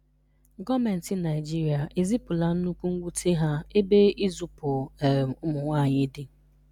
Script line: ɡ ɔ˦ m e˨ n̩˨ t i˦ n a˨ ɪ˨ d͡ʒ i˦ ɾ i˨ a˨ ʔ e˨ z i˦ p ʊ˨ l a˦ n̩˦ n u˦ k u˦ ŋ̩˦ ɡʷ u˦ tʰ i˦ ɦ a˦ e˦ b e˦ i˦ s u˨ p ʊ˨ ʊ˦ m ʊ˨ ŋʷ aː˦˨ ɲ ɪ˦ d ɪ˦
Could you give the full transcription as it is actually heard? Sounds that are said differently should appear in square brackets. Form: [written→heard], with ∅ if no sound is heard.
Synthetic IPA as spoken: ɡ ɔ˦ m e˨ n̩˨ t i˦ n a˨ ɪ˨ d͡ʒ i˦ ɾ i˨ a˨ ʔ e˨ z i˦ p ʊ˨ l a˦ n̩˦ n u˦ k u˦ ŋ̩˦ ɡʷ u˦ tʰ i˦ ɦ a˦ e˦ b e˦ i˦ [s→z] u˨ p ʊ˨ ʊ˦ m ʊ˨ ŋʷ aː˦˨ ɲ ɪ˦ d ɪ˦